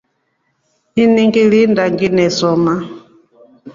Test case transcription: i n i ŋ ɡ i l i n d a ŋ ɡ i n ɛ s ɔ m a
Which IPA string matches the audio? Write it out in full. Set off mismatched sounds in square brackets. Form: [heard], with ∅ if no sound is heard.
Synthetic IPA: i n i ŋ ɡ i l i n d a ŋ ɡ i n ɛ s ɔ m a

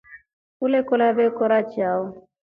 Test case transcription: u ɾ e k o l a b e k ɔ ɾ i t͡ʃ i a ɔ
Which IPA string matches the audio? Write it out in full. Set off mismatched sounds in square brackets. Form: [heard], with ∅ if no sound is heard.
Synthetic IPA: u [l] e k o l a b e k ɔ ɾ [a] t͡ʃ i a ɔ

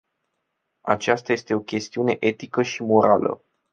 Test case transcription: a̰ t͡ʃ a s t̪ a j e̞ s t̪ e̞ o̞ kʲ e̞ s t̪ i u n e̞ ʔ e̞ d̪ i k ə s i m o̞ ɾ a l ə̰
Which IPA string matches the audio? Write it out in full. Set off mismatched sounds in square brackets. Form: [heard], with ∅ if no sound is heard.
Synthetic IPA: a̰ t͡ʃ a s t̪ a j e̞ s t̪ e̞ o̞ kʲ e̞ s t̪ i u n e̞ ʔ e̞ [t̪] i k ə [ʃ] i m o̞ ɾ a l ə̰

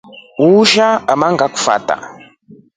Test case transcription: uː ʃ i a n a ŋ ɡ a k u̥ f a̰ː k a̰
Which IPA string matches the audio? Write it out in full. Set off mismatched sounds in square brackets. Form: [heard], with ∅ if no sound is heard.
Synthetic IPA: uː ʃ [a] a [m] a ŋ ɡ a k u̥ f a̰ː [t] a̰

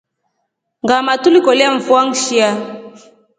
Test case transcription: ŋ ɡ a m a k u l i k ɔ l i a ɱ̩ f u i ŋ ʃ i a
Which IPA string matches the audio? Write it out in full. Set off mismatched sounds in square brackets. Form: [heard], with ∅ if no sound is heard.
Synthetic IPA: ŋ ɡ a m a [t] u l i k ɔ l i a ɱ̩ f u [a] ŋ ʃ i a

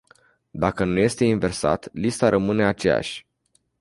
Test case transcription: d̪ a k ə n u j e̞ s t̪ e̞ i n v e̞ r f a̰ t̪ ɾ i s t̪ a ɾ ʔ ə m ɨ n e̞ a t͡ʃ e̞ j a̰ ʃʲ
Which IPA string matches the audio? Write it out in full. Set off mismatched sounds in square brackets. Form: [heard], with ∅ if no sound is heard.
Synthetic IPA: d̪ a k ə n u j e̞ s t̪ e̞ i n v e̞ r [s] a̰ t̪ [l] i s t̪ a ɾ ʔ ə m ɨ n e̞ a t͡ʃ e̞ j a̰ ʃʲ

